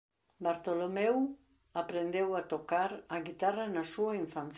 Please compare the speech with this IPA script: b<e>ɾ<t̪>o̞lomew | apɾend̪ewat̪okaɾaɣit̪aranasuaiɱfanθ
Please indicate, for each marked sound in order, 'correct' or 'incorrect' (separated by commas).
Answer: incorrect, correct